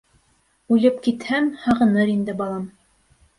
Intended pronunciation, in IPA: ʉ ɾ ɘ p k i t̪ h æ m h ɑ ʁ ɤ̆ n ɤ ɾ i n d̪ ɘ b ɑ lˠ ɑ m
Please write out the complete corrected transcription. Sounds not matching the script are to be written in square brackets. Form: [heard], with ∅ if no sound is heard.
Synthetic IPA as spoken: ʉ [l] ɘ p k i t̪ h æ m h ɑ ʁ ɤ̆ n ɤ ɾ i n d̪ ɘ b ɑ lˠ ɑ m